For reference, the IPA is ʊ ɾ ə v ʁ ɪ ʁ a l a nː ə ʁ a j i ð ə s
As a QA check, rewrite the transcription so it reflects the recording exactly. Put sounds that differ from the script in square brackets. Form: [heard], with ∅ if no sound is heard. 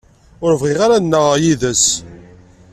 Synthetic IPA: ʊ ɾ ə v ʁ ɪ ʁ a [ɾ] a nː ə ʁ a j i ð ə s

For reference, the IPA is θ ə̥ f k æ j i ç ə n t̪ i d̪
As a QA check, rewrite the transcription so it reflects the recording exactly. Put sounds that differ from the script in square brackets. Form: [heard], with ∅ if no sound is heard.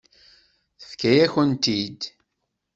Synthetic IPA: θ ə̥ f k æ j [æ] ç ə n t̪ i d̪

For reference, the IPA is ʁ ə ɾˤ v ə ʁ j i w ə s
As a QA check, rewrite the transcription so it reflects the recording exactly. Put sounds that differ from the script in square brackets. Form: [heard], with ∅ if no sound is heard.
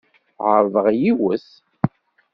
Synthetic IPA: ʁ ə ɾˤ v ə ʁ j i w ə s

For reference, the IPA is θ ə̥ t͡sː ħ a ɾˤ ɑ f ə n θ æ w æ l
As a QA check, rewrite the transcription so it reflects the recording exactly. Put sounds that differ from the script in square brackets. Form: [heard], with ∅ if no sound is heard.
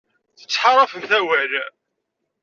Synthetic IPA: θ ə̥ t͡sː ħ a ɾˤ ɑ f ə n θ æ w æ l

